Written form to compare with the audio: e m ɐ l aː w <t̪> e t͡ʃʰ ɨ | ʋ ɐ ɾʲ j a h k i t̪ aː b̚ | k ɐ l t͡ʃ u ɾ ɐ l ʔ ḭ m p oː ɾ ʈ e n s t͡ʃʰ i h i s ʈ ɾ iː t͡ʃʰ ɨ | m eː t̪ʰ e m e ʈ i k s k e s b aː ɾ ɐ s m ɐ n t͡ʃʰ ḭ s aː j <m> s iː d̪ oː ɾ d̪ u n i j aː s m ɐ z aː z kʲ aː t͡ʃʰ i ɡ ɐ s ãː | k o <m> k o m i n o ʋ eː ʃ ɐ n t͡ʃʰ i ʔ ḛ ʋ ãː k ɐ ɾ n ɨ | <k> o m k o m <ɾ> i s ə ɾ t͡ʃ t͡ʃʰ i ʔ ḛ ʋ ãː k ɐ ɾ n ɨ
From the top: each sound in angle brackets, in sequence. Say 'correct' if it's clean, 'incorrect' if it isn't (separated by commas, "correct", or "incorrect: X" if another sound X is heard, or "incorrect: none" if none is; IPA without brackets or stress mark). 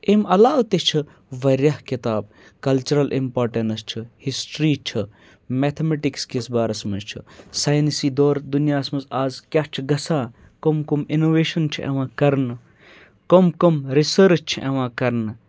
correct, incorrect: n, correct, correct, correct